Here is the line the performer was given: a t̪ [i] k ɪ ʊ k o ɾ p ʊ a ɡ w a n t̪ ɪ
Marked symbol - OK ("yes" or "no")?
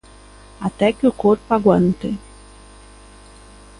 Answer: no